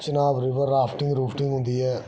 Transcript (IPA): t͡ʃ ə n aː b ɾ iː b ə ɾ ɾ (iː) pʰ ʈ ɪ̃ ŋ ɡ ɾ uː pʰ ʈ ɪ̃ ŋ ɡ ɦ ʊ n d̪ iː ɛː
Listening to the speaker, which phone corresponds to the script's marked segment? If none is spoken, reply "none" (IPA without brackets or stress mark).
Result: aː